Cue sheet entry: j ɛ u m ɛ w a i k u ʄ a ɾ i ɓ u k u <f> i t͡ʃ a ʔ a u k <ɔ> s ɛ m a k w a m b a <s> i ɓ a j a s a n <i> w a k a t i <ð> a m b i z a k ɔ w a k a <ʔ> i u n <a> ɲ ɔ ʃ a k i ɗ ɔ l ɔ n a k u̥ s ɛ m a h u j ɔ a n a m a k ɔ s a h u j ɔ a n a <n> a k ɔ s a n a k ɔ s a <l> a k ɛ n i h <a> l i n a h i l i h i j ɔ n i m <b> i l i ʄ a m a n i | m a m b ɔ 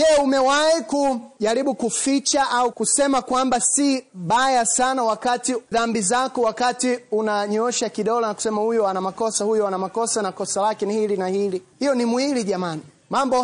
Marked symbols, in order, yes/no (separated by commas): yes, no, yes, no, yes, no, yes, no, yes, no, no